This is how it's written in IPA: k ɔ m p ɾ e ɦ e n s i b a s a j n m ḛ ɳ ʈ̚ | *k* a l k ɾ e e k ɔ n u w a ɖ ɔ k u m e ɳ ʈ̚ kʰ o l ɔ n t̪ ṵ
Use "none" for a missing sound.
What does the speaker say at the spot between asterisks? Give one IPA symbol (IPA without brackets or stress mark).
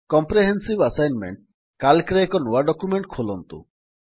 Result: k